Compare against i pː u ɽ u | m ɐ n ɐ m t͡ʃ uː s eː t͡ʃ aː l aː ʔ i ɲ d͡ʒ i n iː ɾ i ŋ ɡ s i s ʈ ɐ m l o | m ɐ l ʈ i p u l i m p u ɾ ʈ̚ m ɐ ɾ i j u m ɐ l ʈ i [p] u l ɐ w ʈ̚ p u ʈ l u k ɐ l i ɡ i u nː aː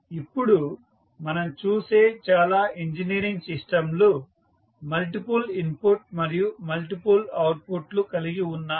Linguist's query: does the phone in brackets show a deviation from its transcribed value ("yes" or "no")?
no